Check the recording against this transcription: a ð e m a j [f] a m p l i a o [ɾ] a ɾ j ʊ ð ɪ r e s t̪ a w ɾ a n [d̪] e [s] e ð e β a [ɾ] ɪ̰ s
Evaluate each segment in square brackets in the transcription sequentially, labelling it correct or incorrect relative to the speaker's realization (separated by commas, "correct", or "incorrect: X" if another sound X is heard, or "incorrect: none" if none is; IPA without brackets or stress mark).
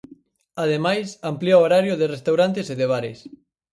incorrect: s, correct, incorrect: t̪, correct, correct